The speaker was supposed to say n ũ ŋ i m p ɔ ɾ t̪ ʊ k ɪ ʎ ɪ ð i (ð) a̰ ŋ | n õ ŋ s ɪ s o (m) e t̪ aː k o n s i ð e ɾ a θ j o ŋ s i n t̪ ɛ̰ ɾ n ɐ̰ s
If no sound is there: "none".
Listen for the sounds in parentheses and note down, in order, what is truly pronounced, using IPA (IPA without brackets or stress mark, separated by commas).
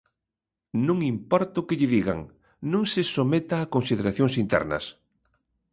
ɣ, m